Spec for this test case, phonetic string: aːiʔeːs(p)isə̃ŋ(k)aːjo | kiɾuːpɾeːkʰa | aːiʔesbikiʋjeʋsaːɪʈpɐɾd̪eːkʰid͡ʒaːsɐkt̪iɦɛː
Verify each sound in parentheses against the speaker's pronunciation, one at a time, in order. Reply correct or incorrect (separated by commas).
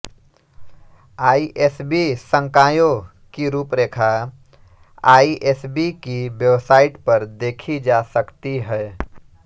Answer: incorrect, correct